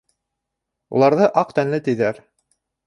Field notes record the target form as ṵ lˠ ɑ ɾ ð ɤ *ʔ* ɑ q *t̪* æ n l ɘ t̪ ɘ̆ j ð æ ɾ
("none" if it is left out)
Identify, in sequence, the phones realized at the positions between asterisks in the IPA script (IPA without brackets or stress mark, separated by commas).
ʔ, t̪